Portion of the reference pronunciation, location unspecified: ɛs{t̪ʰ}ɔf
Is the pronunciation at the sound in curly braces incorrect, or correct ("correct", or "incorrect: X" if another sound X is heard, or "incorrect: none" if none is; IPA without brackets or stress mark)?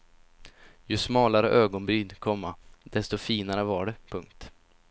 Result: incorrect: t̪